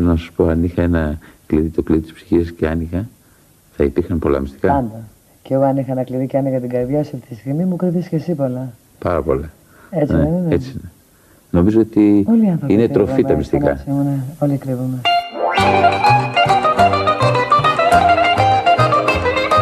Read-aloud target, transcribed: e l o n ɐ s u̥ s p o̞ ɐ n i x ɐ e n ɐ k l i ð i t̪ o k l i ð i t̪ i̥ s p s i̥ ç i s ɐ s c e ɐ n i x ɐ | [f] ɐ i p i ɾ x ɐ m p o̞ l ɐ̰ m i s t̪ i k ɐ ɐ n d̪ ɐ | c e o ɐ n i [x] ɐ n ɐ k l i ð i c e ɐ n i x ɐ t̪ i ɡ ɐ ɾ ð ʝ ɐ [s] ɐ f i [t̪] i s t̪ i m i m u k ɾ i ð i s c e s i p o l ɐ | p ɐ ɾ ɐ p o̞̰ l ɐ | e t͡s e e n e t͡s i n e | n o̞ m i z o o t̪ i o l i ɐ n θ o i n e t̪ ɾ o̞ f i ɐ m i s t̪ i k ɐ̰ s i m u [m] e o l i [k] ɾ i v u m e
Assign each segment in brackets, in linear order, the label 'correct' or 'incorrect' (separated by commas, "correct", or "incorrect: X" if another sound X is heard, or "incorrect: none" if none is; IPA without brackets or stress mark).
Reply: incorrect: θ, correct, correct, correct, incorrect: n, correct